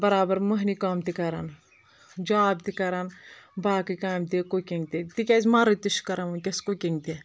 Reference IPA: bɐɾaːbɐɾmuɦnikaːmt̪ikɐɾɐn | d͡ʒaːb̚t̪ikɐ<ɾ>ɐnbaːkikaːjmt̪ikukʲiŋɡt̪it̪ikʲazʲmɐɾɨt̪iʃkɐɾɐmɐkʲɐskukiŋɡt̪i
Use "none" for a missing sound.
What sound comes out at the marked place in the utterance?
ɾ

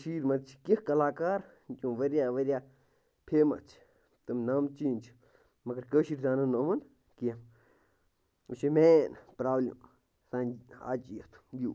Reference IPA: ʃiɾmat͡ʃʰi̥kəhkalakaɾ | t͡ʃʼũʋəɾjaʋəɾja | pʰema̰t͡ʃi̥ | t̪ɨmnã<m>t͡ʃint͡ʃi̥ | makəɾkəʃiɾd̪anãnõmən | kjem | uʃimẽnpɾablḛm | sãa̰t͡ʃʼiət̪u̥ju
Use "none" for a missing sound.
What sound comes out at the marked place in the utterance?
m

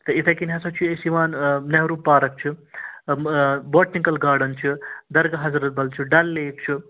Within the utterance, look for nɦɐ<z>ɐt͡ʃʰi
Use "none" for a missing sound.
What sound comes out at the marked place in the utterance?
s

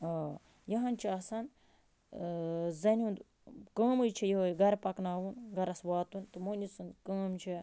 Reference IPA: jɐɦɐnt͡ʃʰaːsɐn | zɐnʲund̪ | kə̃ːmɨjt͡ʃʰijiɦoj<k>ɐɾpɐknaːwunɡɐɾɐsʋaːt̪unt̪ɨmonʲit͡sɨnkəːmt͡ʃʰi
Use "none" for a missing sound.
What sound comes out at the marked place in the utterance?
ɡ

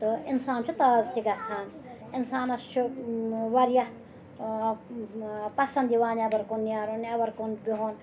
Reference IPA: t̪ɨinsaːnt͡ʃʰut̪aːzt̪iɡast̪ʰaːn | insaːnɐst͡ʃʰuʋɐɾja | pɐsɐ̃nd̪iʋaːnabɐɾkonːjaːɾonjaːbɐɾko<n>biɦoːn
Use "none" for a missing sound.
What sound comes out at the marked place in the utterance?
n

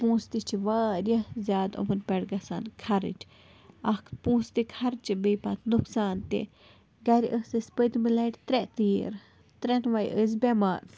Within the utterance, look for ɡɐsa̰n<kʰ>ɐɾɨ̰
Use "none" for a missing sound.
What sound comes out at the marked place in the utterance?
kʰ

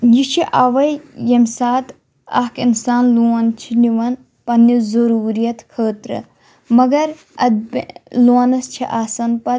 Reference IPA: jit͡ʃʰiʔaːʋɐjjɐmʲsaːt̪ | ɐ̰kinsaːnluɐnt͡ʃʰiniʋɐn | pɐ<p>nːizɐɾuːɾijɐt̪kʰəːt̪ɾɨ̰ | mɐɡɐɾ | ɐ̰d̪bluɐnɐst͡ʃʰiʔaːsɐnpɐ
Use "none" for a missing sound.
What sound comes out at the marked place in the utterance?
none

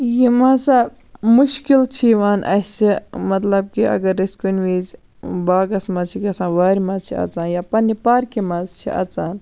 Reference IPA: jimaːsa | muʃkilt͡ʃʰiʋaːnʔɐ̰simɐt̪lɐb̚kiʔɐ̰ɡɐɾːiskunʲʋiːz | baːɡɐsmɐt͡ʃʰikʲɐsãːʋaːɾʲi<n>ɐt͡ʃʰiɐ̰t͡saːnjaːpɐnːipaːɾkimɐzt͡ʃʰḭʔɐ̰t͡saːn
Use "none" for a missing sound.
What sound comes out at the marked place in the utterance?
m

